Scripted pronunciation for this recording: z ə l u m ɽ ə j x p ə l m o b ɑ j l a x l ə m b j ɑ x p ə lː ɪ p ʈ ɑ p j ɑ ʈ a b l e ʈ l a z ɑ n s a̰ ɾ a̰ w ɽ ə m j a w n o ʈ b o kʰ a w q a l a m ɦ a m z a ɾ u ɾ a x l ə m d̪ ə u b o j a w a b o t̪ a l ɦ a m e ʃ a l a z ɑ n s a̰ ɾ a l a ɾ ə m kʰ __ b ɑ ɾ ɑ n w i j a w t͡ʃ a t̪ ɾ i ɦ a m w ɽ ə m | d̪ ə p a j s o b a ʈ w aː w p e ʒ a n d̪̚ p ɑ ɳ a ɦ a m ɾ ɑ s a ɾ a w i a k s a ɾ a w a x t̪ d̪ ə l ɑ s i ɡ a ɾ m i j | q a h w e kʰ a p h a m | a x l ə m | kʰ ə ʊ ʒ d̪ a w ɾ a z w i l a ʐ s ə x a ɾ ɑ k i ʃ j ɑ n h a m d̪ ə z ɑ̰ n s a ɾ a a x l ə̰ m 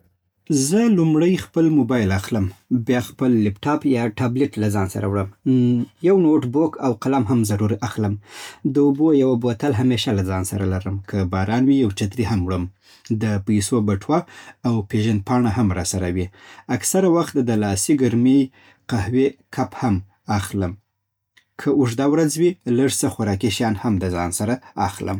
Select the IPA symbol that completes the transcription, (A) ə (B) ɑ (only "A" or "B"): A